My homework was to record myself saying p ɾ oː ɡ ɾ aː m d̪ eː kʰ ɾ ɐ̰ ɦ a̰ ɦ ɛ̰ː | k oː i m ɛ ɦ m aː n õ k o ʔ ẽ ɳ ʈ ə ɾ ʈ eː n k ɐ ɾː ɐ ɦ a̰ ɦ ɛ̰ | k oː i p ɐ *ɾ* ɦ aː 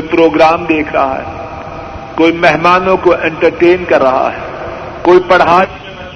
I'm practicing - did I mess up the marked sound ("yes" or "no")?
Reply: yes